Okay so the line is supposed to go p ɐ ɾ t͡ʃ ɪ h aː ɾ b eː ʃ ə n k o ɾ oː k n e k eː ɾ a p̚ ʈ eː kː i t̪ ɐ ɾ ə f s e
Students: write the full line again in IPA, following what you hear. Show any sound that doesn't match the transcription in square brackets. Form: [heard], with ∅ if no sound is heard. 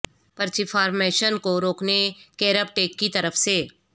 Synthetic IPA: p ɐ ɾ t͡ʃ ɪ [f] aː ɾ [m] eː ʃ ə n k o ɾ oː k n e k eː ɾ [ə] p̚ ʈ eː kː i t̪ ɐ ɾ ə f s e